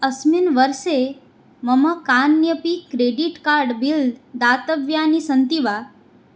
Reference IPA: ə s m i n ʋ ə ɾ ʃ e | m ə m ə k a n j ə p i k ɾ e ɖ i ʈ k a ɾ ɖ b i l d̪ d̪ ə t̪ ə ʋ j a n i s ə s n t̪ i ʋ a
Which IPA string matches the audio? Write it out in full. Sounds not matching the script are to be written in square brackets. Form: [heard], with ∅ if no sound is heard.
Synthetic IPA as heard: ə s m i n ʋ ə ɾ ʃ e | m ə m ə k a n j ə p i k ɾ e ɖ i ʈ k a ɾ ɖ b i l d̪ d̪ [a] t̪ ə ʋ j a n i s ə [∅] n t̪ i ʋ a